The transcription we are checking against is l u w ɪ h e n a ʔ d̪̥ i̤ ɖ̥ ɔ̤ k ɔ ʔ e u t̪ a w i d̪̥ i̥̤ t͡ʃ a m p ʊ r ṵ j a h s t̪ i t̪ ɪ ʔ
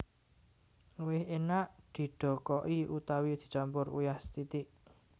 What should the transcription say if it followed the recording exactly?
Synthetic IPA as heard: l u w ɪ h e n a ʔ d̪̥ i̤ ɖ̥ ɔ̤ k ɔ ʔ i u t̪ a w i d̪̥ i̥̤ t͡ʃ a m p ʊ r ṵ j a h s t̪ i t̪ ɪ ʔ